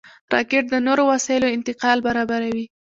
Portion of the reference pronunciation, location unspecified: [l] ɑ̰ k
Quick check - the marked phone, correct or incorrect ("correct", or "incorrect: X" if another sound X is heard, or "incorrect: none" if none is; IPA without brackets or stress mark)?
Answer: incorrect: ɾ